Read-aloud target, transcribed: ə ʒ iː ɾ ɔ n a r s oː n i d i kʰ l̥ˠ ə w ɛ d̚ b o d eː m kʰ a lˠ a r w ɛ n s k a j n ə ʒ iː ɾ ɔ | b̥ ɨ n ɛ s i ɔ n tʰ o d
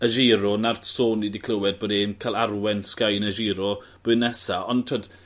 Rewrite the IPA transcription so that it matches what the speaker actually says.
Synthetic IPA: ə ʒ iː ɾ ɔ n a r s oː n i d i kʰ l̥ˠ ə w ɛ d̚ b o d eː m kʰ a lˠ a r w ɛ n s k a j n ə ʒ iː ɾ ɔ | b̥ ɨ n ɛ s a ɔ n tʰ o d